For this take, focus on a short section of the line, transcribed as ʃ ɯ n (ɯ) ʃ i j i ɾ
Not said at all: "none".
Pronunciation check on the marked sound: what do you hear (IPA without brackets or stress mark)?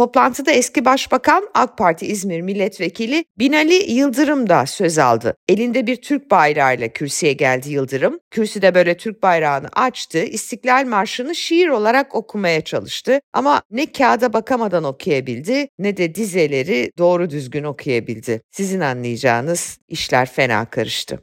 ɯ